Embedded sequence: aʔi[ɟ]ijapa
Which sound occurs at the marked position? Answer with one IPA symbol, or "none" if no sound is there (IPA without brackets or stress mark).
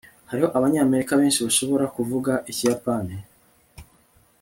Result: c